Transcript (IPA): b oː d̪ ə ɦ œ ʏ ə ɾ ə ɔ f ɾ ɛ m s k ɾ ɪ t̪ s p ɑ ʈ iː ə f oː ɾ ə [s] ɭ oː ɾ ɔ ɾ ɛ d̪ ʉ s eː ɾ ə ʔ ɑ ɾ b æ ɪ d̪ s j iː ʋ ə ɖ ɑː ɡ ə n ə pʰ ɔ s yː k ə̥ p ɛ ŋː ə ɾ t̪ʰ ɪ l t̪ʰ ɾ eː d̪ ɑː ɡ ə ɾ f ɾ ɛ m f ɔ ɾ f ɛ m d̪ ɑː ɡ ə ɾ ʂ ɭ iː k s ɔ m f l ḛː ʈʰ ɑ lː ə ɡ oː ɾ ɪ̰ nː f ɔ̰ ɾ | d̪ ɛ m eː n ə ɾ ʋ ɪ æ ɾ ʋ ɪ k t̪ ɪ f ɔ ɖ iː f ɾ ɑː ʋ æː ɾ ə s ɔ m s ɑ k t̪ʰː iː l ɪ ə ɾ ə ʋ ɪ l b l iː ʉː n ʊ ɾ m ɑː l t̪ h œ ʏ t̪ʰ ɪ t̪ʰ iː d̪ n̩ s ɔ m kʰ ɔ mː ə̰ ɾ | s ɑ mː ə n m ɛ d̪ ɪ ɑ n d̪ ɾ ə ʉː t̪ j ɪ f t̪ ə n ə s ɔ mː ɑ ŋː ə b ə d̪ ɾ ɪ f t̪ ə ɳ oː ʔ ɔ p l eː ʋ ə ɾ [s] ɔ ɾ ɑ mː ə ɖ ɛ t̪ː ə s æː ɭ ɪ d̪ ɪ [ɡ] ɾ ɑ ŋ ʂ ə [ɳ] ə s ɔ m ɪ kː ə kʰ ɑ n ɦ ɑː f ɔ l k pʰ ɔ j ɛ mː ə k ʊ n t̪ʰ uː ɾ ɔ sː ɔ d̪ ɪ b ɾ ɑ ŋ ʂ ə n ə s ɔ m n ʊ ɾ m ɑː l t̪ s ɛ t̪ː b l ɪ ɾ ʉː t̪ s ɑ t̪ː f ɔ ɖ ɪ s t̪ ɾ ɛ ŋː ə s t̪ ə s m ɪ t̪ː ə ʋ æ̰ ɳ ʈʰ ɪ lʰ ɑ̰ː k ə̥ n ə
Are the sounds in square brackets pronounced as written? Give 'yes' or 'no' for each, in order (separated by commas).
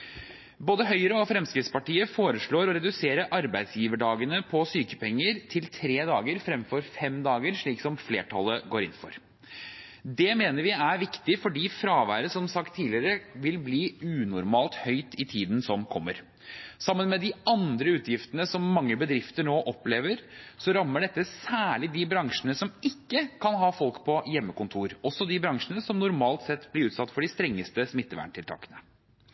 no, yes, no, no